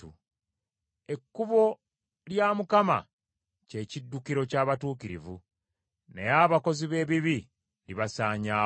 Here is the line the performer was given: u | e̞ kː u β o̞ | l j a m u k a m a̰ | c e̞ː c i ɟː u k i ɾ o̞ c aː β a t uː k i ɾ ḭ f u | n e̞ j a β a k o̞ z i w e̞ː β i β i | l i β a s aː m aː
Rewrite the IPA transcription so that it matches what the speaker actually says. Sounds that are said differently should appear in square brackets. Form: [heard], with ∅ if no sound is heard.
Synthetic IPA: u | e̞ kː u β o̞ | l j a m u k a m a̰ | c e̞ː c i [dː] u k i ɾ o̞ c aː β a t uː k i ɾ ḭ [v] u | n e̞ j a β a k o̞ z i [β] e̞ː β i β i | l i β a s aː [ɲ] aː